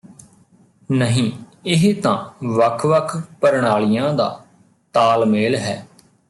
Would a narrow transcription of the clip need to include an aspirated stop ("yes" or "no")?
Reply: yes